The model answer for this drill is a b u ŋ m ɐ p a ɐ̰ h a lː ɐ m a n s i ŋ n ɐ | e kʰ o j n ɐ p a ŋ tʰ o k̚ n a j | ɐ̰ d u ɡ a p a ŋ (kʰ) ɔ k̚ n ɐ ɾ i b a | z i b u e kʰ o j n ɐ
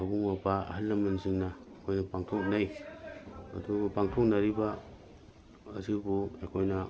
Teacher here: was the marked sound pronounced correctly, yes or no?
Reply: no